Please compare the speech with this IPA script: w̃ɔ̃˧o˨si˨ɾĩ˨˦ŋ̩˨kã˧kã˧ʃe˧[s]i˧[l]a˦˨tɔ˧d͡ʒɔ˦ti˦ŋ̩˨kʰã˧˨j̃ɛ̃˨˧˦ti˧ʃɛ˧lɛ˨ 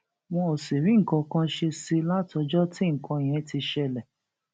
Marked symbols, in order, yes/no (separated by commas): yes, yes